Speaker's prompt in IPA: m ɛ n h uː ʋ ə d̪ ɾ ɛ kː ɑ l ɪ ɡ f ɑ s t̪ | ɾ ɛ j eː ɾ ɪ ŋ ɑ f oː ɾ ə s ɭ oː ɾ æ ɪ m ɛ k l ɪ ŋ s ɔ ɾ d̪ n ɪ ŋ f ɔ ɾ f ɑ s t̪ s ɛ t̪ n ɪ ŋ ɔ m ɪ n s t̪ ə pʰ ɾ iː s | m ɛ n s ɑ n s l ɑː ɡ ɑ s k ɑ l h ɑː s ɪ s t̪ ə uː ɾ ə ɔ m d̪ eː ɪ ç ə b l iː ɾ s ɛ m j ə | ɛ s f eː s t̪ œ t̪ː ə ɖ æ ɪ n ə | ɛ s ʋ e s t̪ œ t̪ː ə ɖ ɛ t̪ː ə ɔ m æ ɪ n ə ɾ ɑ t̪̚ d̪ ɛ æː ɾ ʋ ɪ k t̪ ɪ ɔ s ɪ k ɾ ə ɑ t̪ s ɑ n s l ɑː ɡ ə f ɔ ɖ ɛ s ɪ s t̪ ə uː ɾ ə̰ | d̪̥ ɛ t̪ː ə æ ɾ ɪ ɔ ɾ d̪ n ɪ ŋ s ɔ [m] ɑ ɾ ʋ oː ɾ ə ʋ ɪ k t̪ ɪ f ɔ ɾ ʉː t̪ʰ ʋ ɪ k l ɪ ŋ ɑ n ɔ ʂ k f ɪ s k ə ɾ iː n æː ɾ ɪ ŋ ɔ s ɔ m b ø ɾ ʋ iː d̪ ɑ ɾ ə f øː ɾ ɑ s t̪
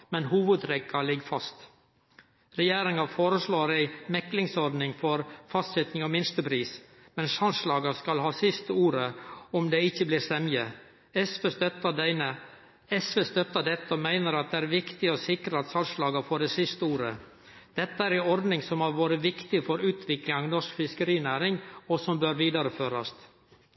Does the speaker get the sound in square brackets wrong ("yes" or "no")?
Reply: no